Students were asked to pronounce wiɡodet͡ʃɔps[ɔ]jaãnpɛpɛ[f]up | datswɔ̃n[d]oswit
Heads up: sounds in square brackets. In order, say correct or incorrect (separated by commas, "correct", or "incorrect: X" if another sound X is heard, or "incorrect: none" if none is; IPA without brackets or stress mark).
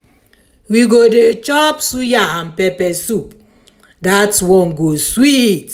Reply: incorrect: u, incorrect: s, incorrect: ɡ